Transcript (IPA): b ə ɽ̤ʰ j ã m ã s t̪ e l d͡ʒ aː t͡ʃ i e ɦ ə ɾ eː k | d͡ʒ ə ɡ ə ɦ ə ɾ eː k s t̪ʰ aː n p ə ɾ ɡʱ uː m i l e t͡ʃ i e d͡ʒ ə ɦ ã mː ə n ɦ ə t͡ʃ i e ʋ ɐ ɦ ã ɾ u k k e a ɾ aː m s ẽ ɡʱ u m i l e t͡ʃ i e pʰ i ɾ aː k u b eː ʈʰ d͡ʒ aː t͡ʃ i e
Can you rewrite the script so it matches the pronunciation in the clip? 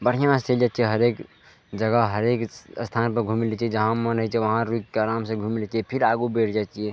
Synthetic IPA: b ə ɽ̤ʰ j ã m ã s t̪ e l d͡ʒ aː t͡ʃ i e ɦ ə ɾ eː k | d͡ʒ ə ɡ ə ɦ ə ɾ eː k s t̪ʰ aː n p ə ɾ ɡʱ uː m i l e t͡ʃ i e d͡ʒ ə ɦ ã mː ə n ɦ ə t͡ʃ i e ʋ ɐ ɦ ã ɾ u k k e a ɾ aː m s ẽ ɡʱ u m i l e t͡ʃ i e pʰ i ɾ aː ɡ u b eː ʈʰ d͡ʒ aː t͡ʃ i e